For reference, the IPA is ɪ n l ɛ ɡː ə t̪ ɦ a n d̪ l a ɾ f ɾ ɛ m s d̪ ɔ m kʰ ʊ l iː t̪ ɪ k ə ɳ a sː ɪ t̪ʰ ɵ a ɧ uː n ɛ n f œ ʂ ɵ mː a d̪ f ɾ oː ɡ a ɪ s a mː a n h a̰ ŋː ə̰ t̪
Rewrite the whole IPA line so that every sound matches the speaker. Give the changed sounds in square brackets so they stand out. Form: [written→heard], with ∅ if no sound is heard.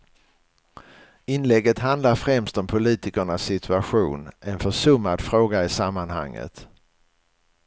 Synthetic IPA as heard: ɪ n l ɛ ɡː ə t̪ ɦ a n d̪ l a ɾ f ɾ ɛ m s [d̪→t̪] ɔ m [kʰ→pʰ] ʊ l iː t̪ ɪ k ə ɳ a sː ɪ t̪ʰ ɵ a ɧ uː n ɛ n f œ ʂ ɵ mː a d̪ f ɾ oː ɡ a ɪ s a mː a n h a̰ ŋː ə̰ t̪